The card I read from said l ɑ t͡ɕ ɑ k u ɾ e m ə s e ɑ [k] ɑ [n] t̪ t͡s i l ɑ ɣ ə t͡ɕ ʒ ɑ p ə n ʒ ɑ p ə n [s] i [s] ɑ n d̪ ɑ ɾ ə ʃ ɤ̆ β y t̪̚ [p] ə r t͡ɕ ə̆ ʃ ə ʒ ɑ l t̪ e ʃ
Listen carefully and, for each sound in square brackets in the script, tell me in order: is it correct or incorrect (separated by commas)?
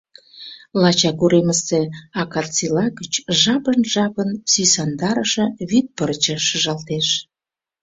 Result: correct, incorrect, correct, correct, correct